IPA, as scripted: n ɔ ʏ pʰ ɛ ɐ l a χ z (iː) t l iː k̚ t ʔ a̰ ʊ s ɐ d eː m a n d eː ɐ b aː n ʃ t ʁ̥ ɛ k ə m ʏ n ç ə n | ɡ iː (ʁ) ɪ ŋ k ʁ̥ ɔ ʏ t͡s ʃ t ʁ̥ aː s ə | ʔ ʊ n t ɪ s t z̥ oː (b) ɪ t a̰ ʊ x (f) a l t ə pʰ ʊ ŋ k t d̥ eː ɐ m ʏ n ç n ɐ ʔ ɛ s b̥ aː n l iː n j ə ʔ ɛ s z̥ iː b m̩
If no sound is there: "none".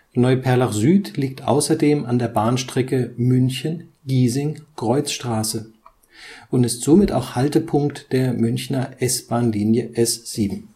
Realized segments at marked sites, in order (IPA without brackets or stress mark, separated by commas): yː, z, m, h